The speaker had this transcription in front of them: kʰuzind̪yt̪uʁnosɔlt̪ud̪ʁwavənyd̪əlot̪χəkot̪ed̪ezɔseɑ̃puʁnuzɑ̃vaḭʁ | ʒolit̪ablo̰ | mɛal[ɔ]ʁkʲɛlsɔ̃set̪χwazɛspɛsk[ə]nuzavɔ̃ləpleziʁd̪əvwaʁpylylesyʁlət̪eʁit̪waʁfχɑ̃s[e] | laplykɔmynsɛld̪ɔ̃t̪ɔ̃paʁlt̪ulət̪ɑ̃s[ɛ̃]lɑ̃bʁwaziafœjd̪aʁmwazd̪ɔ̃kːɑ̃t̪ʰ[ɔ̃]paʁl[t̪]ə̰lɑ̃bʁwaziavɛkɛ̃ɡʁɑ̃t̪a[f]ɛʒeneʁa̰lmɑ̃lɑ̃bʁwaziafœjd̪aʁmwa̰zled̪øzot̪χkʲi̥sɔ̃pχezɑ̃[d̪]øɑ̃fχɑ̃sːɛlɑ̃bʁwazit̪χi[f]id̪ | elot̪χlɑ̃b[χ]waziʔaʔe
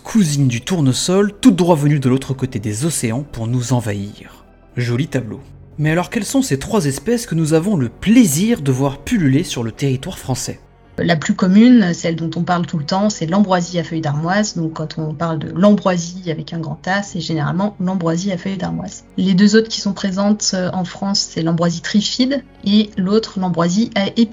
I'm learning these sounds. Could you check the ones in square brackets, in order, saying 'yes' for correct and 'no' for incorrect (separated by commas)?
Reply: yes, yes, no, no, yes, no, no, no, yes, no